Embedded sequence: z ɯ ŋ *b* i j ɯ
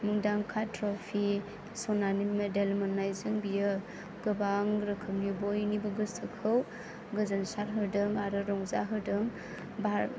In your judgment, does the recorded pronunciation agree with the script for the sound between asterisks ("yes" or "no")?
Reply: yes